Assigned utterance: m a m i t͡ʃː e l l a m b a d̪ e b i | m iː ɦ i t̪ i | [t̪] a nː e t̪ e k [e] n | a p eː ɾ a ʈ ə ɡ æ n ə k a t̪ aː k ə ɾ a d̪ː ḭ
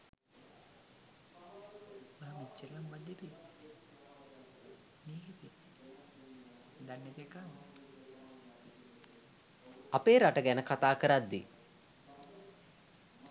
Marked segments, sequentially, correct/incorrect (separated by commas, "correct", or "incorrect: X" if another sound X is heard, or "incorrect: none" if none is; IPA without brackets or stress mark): incorrect: d̪, incorrect: a